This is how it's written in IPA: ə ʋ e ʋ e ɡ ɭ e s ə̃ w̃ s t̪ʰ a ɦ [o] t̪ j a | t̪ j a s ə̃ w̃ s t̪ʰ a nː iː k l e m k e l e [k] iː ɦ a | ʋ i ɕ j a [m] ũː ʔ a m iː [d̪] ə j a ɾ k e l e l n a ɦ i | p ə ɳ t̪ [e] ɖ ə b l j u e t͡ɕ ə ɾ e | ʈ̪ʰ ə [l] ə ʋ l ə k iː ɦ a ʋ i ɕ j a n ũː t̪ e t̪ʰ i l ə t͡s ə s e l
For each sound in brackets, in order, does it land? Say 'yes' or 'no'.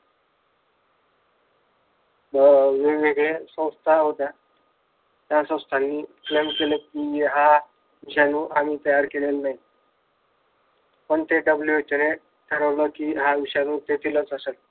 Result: yes, yes, no, no, yes, no

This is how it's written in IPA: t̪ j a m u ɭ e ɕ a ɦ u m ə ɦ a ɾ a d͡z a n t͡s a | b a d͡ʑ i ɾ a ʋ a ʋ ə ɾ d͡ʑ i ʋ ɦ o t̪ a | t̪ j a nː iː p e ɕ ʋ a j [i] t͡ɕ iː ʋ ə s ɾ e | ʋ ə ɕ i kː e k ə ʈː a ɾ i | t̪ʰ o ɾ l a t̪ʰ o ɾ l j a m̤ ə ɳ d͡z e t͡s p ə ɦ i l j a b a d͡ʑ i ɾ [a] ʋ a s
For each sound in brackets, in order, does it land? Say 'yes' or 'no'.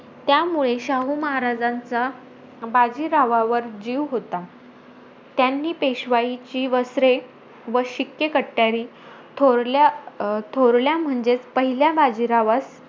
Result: yes, yes

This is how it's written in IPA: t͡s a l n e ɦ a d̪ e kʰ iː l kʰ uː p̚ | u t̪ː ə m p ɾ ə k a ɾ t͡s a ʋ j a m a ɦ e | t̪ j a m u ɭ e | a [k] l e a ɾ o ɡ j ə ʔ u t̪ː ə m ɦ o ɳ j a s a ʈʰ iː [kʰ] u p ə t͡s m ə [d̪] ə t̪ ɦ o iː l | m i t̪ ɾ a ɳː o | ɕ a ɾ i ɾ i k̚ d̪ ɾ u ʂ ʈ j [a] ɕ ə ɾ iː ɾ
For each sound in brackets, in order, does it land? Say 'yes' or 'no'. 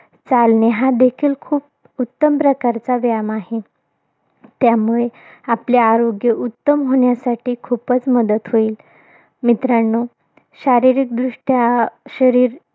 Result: no, yes, yes, yes

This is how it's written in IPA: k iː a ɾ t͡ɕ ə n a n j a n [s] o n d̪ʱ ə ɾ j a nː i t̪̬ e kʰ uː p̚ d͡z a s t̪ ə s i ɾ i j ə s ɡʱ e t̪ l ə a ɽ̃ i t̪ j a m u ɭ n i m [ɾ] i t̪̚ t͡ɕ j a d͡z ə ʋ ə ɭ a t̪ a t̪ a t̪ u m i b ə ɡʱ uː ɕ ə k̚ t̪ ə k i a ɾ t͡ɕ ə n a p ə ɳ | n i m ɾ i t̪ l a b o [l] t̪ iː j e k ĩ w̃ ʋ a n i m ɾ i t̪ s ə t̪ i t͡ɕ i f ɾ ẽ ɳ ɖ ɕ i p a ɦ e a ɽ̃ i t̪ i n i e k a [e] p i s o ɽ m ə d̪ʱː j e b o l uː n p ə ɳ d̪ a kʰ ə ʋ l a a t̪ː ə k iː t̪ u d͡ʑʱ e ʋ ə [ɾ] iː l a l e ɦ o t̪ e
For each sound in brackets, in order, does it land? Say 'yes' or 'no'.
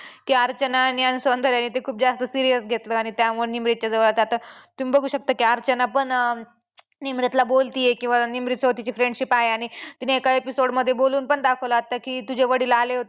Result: yes, yes, yes, yes, no

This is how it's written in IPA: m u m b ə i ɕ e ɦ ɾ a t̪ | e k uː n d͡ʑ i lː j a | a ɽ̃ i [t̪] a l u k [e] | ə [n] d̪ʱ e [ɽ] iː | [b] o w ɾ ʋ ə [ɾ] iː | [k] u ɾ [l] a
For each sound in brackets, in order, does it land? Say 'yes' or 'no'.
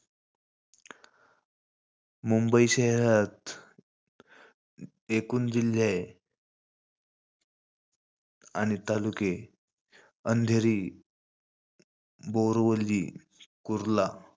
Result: yes, yes, yes, no, yes, no, yes, yes

